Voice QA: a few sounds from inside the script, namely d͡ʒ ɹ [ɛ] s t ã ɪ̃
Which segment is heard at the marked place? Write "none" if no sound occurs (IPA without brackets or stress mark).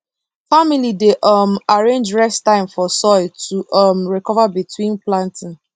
ɛ